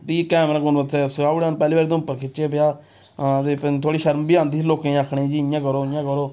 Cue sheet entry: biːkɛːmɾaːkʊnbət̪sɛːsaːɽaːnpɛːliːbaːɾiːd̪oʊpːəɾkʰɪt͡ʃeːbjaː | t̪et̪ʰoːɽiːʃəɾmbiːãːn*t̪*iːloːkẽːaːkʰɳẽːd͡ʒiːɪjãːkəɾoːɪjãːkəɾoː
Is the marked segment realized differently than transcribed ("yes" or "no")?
yes